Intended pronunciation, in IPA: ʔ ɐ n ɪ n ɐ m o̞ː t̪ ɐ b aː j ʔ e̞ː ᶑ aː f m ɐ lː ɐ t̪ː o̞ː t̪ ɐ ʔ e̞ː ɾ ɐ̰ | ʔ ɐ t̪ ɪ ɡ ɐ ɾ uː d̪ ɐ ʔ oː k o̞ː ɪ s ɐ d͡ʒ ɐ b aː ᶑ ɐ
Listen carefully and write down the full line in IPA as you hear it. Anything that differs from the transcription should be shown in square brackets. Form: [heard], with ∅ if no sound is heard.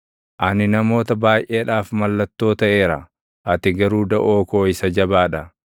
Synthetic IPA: ʔ ɐ n ɪ n ɐ m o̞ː t̪ ɐ b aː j ʔ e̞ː ᶑ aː f m ɐ lː ɐ t̪ː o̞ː t̪ ɐ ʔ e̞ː ɾ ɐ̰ | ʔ ɐ t̪ ɪ ɡ ɐ ɾ uː d̪ ɐ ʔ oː k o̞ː ɪ s ɐ d͡ʒ ɐ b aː ᶑ ɐ